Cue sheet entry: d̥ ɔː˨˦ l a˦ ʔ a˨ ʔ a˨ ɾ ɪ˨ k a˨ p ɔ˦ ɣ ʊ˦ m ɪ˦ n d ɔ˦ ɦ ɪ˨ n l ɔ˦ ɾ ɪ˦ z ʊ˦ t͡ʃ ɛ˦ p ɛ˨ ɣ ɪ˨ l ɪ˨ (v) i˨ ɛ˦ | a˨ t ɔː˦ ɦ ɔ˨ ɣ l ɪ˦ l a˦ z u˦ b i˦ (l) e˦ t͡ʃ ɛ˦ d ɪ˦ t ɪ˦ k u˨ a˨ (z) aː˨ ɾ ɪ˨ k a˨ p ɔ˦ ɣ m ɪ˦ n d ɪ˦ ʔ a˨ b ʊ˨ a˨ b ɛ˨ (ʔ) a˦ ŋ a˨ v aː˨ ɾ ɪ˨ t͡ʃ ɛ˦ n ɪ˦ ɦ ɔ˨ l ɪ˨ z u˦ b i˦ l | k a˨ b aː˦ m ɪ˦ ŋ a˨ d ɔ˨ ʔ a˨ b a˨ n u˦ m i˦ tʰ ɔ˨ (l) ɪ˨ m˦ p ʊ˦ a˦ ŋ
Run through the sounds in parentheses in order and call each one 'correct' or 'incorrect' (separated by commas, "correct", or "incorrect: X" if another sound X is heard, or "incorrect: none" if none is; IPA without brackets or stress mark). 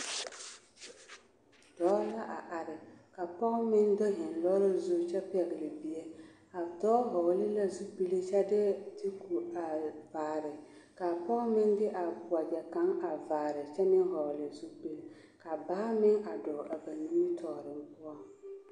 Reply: incorrect: b, correct, incorrect: v, incorrect: k, incorrect: ɾ